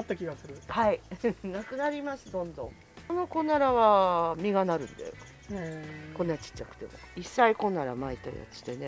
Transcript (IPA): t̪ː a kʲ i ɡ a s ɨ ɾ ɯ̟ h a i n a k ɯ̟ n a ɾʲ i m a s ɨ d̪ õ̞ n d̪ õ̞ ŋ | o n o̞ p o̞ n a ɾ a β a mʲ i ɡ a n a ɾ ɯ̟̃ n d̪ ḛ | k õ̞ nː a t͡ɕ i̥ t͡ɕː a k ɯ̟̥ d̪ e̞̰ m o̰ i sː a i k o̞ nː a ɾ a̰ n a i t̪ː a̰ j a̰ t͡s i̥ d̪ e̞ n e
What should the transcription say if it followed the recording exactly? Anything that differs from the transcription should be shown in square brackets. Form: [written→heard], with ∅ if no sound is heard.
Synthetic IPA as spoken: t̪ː a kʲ i ɡ a s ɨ ɾ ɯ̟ h a i n a k ɯ̟ n a ɾʲ i m a s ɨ d̪ õ̞ n d̪ õ̞ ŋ | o n o̞ [p→k] o̞ n a ɾ a β a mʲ i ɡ a n a ɾ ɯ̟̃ n d̪ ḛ | k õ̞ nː a t͡ɕ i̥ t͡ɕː a k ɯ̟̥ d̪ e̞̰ m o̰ i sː a i k o̞ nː a ɾ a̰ [n→m] a i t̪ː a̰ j a̰ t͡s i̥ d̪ e̞ n e